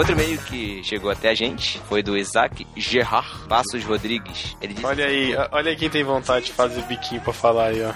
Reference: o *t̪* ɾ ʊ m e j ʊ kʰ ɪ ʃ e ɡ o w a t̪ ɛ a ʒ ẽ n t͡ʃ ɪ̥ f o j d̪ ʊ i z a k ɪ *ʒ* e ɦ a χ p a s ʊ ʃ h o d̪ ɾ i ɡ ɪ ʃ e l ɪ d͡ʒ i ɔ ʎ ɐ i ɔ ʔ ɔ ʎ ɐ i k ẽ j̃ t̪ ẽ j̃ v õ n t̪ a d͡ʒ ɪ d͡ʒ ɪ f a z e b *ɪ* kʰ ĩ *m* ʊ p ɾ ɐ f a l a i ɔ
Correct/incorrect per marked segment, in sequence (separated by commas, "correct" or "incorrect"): correct, correct, incorrect, incorrect